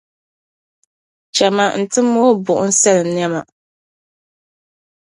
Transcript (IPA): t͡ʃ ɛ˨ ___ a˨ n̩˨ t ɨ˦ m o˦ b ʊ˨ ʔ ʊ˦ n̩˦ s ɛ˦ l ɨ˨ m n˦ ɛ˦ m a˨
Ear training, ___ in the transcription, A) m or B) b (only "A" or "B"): A